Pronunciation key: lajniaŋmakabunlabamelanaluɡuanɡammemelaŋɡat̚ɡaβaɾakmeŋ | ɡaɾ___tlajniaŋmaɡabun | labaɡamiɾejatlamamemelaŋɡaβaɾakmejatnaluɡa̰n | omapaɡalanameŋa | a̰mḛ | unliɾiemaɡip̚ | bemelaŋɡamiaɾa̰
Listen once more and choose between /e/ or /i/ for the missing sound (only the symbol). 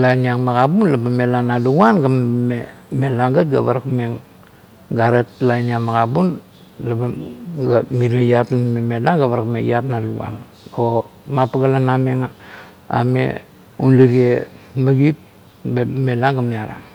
e